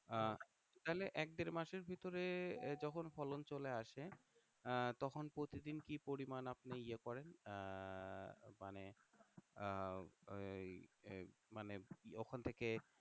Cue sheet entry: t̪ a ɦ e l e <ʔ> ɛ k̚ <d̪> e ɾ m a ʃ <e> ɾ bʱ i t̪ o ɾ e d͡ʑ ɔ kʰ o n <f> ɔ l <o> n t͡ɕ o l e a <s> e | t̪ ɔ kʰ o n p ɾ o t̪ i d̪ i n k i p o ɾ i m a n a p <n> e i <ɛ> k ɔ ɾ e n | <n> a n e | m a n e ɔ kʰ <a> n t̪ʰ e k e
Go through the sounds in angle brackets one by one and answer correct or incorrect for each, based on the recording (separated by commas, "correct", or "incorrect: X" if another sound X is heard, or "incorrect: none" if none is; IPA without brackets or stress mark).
correct, correct, correct, correct, correct, incorrect: ʃ, correct, incorrect: e, incorrect: m, correct